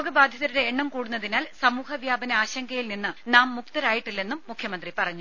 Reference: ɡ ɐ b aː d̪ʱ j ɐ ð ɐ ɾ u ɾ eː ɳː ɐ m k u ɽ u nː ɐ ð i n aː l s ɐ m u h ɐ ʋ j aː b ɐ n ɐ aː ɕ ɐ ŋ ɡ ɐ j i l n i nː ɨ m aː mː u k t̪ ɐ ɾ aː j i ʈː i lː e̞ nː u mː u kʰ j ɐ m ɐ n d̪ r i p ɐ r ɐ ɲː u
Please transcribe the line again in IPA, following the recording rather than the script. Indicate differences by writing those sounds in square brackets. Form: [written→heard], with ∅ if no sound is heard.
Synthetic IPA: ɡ ɐ b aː d̪ʱ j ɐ ð ɐ ɾ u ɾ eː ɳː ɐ m k [u→uː] ɽ u nː ɐ ð i n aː l s ɐ m [u→uː] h ɐ ʋ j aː b ɐ n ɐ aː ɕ ɐ ŋ ɡ ɐ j i l n i nː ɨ [m→n] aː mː u k t̪ ɐ ɾ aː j i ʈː i lː e̞ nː u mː u kʰ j ɐ m ɐ n d̪ r i p ɐ r ɐ ɲː u